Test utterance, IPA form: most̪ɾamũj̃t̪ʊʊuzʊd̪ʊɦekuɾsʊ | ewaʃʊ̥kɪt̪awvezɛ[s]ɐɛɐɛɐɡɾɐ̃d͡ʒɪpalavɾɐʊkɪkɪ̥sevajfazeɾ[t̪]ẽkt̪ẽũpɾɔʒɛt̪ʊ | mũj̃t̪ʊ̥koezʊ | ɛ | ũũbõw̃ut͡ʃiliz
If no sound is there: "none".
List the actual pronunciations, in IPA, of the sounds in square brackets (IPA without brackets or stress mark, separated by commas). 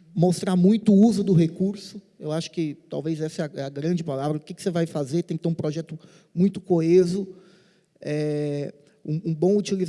s, t̪